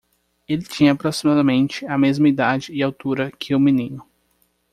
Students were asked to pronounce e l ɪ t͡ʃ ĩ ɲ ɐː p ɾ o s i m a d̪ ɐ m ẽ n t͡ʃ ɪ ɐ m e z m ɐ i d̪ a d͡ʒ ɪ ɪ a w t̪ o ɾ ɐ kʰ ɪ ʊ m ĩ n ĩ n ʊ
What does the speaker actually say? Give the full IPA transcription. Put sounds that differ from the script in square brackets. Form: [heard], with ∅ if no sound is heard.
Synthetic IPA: e l ɪ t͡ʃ ĩ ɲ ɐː p ɾ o s i m a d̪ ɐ m ẽ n t͡ʃ ɪ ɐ m e z m ɐ i d̪ a d͡ʒ ɪ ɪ a w t̪ [u] ɾ ɐ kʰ ɪ ʊ m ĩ n ĩ n ʊ